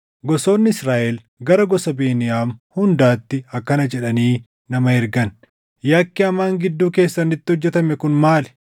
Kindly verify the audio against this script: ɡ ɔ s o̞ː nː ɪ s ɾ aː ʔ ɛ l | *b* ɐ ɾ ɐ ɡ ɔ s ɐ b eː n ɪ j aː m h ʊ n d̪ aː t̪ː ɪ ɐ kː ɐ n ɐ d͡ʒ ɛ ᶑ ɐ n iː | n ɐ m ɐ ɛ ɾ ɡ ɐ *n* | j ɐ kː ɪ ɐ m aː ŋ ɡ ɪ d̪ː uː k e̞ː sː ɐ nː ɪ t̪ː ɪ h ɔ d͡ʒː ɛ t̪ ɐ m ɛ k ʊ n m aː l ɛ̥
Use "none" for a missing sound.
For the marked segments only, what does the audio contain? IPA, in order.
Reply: ɡ, n

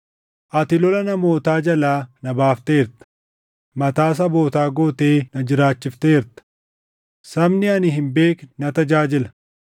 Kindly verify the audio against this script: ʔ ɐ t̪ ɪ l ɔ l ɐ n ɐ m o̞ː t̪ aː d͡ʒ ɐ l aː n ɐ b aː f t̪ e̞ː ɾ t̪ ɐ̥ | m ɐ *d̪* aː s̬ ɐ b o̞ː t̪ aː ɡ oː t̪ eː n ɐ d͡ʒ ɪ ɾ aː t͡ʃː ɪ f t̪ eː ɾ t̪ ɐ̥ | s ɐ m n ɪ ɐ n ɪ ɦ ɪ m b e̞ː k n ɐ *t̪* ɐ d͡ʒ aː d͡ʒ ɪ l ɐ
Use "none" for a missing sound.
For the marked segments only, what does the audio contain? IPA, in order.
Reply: t̪, t̪

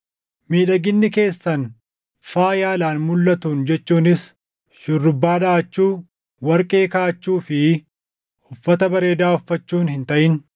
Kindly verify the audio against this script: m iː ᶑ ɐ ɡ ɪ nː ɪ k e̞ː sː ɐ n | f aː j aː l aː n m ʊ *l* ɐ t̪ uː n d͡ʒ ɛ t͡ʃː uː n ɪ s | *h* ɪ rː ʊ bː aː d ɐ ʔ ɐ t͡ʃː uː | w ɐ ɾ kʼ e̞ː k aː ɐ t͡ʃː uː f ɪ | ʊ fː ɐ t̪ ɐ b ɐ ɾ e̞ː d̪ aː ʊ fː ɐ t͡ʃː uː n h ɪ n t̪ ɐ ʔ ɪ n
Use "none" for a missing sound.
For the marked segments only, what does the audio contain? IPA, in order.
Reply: lː, ʃ

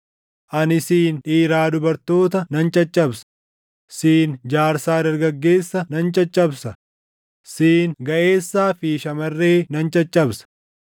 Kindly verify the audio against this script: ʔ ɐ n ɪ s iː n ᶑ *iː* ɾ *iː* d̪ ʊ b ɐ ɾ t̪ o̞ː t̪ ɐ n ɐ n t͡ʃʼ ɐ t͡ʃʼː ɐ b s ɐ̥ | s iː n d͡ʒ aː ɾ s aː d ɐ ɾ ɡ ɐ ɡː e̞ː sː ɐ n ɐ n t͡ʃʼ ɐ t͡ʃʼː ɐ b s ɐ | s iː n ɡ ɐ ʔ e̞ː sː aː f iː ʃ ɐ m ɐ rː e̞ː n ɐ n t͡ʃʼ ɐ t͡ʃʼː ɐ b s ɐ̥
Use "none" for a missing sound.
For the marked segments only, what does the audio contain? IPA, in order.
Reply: iː, aː

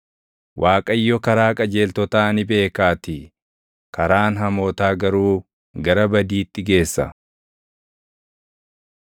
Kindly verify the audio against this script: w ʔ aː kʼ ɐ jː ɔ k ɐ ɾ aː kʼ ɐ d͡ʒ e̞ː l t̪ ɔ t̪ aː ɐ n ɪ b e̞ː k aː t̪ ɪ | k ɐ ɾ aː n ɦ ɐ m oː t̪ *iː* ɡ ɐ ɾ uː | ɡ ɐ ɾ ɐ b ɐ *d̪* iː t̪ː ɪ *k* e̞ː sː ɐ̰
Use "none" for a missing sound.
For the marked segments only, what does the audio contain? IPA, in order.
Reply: aː, d̪, ɡ

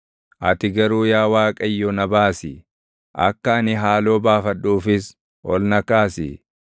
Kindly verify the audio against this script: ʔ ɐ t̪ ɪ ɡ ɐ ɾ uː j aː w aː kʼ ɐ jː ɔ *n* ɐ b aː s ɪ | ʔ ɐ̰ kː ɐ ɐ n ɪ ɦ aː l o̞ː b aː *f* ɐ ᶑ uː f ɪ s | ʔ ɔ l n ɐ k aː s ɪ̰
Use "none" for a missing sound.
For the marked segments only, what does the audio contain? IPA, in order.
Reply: n, f

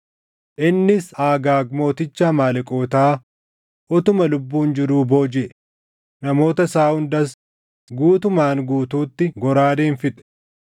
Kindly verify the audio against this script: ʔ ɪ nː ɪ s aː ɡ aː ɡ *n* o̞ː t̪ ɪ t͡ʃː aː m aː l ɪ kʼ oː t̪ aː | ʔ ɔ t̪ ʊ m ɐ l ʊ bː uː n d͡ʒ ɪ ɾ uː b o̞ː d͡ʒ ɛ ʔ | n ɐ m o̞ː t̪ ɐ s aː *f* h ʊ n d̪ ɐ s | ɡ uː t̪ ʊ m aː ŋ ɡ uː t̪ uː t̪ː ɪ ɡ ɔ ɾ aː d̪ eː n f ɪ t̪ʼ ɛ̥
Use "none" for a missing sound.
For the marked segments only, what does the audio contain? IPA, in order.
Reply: m, none

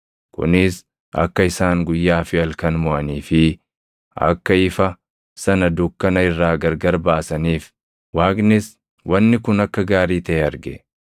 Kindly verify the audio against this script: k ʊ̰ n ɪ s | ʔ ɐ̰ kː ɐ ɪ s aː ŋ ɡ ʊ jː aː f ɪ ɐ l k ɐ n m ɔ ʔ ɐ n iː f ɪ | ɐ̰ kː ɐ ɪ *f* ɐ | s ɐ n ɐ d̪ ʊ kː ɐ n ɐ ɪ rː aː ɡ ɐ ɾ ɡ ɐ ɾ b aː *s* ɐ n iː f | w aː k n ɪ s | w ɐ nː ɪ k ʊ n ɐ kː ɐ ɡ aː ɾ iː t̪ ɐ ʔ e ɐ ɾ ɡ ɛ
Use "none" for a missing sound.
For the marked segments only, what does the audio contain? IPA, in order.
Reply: f, s

